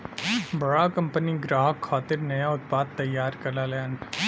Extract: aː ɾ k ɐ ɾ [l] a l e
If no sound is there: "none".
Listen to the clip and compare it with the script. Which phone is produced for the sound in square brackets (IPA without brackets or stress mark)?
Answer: l